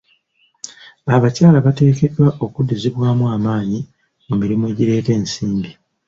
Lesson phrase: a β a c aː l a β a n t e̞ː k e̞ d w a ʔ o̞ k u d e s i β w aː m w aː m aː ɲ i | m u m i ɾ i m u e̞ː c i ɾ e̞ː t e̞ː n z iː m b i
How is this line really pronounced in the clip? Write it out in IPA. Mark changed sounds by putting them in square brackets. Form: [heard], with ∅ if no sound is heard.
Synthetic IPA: a β a c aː l a β a [∅] t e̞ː k e̞ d w a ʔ o̞ k u d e [z] i β w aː m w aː m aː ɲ i | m u m i ɾ i m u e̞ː [ɟ] i ɾ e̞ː t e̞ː n [s] iː m b i